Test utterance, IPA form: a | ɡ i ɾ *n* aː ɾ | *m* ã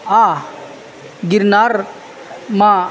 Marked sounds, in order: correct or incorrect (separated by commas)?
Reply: correct, correct